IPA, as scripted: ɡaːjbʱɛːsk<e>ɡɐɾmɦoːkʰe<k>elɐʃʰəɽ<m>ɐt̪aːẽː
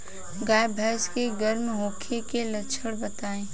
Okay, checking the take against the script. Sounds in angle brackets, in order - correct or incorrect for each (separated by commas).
correct, correct, incorrect